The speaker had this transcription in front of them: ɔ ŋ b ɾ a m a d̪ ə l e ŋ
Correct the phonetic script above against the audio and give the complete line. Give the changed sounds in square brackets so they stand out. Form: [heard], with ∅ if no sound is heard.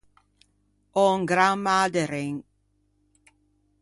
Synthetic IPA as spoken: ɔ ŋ [ɡ] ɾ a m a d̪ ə [ɾ] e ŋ

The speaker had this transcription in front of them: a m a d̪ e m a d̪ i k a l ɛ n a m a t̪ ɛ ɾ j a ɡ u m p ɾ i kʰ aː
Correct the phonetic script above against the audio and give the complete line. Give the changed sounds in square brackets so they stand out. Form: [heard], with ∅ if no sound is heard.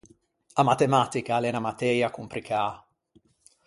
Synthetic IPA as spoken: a m a [t̪] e m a [t̪] i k a l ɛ n a m a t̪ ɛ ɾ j a [k] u m p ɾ i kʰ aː

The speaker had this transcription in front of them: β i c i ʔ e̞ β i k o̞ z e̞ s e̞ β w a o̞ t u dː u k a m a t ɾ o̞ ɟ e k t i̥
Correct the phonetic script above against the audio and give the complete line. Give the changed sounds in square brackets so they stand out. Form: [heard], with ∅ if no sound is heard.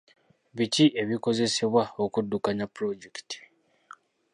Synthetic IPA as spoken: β i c i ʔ e̞ β i k o̞ z e̞ s e̞ β w a o̞ [k] u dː u k a [ɲ] a [p] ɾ o̞ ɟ e k t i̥

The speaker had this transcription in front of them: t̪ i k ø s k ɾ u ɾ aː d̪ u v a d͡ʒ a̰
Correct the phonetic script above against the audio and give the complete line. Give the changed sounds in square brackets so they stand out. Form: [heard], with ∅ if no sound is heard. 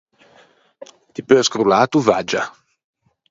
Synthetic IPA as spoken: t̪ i [p] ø s k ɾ u [l] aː [t̪] u v a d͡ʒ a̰

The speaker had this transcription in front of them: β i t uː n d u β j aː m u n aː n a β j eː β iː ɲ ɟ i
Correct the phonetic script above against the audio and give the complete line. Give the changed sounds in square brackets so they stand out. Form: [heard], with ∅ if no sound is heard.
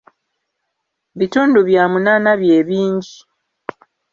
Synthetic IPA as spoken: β i t uː n d u β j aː m u n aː n a β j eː β iː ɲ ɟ i

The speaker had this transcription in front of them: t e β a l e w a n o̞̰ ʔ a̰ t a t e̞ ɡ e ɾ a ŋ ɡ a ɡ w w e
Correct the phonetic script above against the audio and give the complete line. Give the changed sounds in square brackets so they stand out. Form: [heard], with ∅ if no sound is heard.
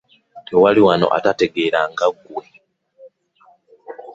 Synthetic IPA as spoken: t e [w] a l [i] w a n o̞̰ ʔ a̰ t a t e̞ ɡ e ɾ a ŋ ɡ a ɡ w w e

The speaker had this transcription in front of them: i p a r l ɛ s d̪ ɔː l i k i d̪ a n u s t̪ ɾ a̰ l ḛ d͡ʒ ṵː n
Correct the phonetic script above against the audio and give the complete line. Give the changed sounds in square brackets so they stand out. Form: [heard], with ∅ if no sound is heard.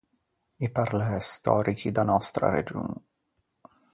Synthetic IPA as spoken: i p a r l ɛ s [t̪] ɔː [ɾ] i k i d̪ a n [ɔ] s t̪ ɾ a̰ [ɾ] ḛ d͡ʒ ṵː n

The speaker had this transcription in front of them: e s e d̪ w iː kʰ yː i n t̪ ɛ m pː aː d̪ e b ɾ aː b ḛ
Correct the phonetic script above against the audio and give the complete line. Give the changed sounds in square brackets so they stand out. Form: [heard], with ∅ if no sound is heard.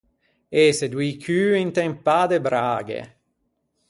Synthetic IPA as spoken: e s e d̪ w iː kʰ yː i n t̪ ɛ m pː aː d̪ e b ɾ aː [ɡ] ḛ

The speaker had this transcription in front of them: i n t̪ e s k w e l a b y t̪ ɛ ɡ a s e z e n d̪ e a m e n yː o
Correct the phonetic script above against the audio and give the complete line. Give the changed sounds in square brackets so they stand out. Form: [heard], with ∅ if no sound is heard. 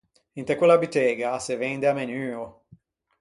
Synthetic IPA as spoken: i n t̪ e [∅] k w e l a b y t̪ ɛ ɡ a s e [v] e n d̪ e a m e n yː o

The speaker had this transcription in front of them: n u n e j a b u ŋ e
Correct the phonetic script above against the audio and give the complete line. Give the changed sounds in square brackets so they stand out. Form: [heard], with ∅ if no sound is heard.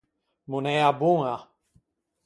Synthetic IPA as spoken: [m] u n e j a b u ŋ [a]

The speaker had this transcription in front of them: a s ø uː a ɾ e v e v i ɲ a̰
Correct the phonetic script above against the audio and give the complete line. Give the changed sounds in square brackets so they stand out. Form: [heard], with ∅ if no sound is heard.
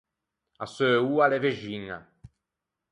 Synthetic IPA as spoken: a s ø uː a [l] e v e [ʒ] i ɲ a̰

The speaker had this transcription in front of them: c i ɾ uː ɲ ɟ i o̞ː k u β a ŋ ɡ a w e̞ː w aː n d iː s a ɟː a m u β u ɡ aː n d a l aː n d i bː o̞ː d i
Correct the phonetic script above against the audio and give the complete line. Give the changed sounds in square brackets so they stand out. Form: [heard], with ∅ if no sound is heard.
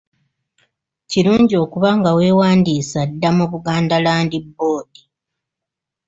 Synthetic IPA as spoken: c i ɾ uː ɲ ɟ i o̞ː k u β a ŋ ɡ a w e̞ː w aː n d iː s a [dː] a m u β u ɡ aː n d a l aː n d i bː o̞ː d i

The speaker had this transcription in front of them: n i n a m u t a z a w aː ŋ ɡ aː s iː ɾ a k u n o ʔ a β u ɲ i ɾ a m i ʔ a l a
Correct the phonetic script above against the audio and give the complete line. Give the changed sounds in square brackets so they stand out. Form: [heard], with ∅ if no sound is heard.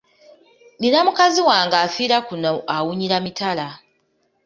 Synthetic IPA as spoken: n i n a m u [k] a z [i] w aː ŋ ɡ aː [f] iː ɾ a k u n o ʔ a [w] u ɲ i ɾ a m i [t] a l a

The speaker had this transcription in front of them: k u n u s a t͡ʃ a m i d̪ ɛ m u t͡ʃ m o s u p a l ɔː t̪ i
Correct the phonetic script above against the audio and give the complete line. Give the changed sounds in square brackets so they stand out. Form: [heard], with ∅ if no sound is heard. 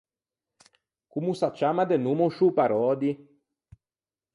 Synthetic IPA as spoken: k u [m] u s a t͡ʃ a m [a] d̪ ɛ [n] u [∅] m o [ʃ] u p a [ɾ] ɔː [d̪] i

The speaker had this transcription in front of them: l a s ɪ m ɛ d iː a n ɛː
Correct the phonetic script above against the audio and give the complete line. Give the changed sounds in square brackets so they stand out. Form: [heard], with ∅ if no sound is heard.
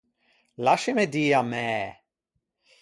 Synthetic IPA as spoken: l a [ʃ] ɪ m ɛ d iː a [m] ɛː

